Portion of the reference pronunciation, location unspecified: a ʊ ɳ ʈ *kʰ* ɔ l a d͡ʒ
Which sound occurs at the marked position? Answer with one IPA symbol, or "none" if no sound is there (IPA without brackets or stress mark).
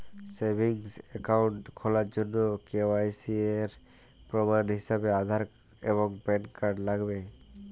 kʰ